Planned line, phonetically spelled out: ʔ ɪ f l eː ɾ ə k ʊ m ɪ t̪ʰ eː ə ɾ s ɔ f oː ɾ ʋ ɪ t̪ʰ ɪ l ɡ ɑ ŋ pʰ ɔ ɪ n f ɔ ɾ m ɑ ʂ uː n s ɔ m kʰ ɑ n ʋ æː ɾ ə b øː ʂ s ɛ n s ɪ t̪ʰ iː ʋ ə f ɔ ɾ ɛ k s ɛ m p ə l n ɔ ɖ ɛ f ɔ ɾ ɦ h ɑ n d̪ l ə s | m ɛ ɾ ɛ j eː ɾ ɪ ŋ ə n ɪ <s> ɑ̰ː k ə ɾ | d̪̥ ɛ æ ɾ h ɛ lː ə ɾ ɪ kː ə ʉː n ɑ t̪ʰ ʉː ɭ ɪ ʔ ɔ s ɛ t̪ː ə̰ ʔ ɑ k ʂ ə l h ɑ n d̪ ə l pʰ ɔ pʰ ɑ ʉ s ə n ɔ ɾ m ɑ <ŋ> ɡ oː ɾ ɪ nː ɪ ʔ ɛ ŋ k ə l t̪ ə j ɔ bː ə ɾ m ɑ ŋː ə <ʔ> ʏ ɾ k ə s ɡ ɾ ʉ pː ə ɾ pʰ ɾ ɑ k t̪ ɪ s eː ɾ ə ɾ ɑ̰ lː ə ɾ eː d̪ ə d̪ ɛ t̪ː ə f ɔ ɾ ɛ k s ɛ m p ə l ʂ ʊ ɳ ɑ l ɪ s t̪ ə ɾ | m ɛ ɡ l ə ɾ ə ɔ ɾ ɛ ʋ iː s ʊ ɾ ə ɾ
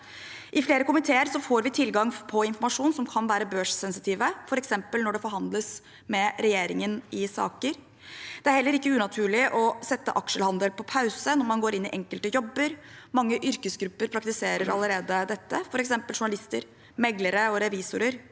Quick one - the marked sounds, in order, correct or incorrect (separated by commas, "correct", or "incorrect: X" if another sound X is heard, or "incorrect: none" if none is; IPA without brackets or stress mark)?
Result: correct, incorrect: n, correct